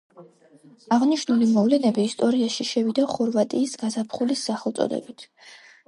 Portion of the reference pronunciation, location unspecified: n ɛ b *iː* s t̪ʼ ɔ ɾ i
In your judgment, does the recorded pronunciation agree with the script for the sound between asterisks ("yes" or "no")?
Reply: yes